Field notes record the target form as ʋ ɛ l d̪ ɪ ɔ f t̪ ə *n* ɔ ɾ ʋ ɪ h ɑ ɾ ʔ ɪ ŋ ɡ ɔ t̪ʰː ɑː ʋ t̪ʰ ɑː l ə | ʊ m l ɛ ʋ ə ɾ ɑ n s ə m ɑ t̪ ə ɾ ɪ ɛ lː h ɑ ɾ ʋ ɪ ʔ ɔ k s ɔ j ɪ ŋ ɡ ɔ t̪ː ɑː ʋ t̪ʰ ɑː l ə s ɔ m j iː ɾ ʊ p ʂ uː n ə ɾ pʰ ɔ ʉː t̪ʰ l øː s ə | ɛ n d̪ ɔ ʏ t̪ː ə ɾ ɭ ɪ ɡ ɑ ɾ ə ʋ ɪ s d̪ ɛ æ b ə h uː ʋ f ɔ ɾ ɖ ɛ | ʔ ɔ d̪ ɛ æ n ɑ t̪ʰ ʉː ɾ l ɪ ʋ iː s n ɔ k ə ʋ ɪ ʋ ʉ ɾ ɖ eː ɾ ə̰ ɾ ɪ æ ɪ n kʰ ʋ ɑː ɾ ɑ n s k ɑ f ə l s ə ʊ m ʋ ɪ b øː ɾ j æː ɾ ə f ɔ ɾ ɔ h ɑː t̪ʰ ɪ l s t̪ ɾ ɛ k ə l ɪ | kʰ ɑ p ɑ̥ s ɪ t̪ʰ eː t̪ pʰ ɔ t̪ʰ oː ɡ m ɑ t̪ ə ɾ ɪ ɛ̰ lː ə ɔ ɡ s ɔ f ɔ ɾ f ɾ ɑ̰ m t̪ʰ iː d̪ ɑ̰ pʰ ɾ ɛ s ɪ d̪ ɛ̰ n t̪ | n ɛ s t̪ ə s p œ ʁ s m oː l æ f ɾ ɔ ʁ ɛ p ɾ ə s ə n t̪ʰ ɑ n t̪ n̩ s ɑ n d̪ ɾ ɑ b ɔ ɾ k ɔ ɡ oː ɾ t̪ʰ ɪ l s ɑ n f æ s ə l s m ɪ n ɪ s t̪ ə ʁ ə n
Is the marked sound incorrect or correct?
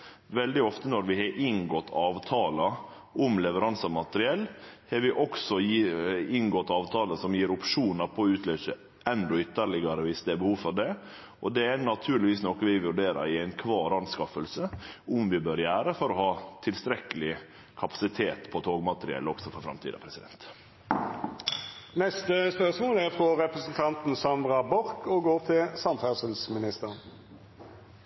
correct